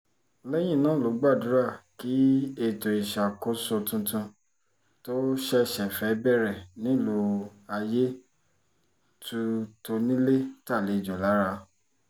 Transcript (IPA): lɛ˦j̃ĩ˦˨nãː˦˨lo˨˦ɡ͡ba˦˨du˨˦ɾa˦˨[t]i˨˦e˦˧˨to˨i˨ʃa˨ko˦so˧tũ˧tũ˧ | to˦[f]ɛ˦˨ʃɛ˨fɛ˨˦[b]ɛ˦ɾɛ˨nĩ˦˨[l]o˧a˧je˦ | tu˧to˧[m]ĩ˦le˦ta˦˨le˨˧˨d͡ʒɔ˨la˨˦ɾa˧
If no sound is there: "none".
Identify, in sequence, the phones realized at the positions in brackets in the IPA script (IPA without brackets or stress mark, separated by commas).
k, ʃ, b, l, n